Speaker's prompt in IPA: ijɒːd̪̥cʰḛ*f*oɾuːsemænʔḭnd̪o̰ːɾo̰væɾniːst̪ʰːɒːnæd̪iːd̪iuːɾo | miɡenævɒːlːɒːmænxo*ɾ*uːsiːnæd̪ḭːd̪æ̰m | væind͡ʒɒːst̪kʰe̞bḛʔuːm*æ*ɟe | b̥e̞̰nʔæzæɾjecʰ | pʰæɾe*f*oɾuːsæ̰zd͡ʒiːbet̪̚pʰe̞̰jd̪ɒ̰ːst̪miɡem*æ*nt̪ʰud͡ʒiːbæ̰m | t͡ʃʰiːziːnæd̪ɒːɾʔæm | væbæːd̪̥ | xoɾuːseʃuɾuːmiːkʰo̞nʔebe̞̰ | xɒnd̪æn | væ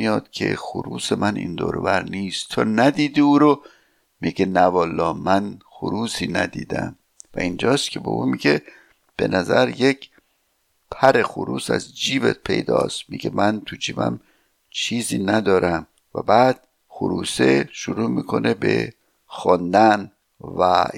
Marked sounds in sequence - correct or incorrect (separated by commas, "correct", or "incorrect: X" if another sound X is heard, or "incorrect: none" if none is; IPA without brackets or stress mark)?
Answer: incorrect: x, correct, incorrect: i, incorrect: x, correct